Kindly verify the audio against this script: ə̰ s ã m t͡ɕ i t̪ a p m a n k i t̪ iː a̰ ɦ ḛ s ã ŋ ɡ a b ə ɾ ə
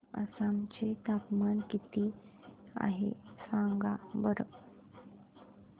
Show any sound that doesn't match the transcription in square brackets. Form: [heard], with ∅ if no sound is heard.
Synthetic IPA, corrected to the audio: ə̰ s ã m t͡ɕ [e] t̪ a p m a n k i t̪ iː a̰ ɦ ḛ s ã ŋ ɡ a b ə ɾ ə